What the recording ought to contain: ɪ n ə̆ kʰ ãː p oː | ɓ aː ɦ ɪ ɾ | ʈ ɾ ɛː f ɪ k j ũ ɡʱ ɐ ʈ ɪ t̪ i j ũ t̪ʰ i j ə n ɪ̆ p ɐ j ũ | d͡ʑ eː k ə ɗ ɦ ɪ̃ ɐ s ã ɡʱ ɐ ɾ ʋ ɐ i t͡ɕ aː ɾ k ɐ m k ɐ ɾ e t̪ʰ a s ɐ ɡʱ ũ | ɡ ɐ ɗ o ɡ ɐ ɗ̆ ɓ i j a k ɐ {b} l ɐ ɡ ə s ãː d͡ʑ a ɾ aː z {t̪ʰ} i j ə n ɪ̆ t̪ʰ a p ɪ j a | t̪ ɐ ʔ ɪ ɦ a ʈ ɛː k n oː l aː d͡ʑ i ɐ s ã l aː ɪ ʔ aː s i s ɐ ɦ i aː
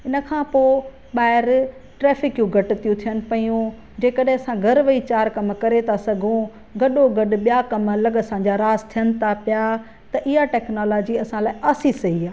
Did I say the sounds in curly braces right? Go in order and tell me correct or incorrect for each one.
incorrect, correct

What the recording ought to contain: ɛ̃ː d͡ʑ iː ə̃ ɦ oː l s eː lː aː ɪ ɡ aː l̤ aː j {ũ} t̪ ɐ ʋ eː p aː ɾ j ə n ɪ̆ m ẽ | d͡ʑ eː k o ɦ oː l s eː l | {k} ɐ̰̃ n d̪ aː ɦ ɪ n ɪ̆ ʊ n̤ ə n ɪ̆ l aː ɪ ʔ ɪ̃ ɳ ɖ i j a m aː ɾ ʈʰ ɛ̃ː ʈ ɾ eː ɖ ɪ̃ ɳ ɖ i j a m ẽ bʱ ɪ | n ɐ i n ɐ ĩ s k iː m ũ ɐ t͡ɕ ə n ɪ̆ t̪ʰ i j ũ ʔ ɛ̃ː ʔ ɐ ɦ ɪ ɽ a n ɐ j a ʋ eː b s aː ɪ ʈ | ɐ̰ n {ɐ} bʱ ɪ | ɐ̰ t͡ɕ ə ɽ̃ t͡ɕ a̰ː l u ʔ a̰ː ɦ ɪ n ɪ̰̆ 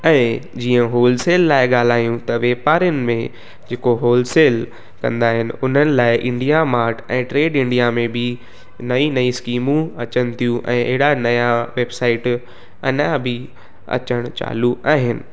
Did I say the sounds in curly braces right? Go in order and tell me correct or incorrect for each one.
correct, correct, incorrect

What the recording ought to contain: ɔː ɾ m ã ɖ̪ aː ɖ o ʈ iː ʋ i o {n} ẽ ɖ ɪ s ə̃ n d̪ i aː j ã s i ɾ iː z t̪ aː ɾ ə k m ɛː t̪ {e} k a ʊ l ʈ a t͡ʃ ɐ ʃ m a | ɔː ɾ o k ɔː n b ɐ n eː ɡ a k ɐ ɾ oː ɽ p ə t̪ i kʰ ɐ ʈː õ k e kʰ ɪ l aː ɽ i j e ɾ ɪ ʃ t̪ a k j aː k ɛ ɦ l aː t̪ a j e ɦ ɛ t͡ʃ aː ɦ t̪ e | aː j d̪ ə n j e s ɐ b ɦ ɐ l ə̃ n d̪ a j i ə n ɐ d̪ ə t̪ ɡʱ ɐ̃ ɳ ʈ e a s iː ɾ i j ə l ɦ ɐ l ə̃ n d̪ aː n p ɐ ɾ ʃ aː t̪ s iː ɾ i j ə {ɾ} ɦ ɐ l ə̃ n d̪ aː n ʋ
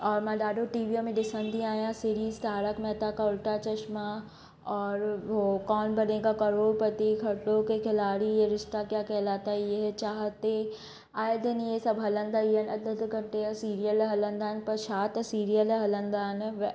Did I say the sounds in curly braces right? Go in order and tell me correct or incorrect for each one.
incorrect, incorrect, incorrect

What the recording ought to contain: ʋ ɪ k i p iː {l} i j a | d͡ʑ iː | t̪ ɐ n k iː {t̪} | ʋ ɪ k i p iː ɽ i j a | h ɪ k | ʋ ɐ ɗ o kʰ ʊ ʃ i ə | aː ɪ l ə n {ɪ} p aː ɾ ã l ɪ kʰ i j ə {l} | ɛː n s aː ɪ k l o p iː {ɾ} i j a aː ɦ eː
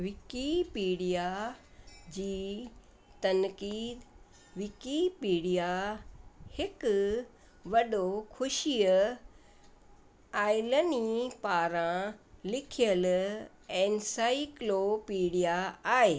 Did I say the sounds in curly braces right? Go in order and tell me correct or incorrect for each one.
incorrect, incorrect, incorrect, correct, incorrect

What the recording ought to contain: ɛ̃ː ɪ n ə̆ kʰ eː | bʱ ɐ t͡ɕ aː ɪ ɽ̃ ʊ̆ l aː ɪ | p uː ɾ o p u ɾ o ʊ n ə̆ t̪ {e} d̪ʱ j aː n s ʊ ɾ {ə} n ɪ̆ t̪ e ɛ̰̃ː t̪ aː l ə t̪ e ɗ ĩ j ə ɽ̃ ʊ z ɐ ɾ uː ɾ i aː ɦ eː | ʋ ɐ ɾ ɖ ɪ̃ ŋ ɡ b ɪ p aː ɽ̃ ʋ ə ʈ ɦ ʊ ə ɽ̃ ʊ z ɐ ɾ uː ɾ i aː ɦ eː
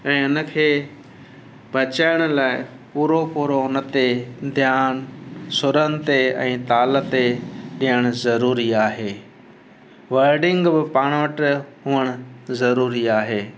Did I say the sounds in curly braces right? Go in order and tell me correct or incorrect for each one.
correct, correct

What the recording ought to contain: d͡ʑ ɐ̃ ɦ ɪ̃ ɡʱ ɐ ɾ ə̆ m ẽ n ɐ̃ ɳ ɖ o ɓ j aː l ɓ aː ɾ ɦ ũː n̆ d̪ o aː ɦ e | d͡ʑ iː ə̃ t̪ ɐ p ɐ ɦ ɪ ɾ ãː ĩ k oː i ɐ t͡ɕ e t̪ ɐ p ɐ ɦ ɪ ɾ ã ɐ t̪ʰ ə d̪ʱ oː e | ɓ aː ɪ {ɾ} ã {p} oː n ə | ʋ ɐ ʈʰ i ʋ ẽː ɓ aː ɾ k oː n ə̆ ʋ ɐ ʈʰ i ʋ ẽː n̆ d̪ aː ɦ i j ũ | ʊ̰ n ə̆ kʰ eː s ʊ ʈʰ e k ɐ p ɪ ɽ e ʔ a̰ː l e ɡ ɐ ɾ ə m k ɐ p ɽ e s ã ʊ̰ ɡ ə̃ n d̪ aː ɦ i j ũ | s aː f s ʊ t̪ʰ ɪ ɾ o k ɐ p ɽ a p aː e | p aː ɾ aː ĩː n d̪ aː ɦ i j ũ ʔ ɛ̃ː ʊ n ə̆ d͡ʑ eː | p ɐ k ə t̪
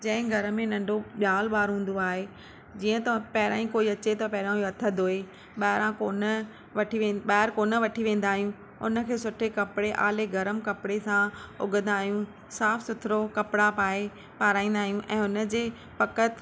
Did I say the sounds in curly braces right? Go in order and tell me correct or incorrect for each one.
correct, incorrect

